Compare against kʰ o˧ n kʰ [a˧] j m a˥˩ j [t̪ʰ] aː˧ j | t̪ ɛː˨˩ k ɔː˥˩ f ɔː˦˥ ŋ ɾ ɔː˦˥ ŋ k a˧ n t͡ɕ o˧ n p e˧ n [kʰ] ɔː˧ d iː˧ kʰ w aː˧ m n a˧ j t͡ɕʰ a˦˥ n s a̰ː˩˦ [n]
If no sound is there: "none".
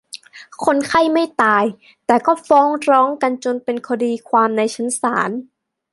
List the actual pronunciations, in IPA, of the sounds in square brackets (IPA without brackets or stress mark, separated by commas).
a˥˩, t̪, kʰ, n